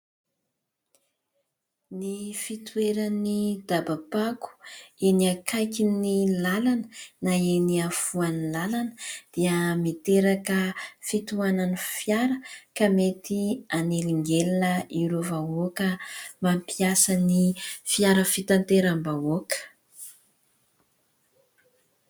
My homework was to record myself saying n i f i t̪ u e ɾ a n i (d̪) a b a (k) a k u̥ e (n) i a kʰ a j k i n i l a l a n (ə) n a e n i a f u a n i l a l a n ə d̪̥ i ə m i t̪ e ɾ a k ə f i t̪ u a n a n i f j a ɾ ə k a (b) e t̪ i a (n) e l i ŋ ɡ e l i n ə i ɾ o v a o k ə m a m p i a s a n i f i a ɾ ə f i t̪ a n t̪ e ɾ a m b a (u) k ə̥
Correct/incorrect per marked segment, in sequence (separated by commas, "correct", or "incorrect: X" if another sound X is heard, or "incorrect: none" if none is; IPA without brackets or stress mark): correct, incorrect: p, correct, correct, incorrect: m, correct, incorrect: o